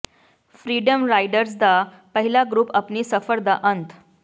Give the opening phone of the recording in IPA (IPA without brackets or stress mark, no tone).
f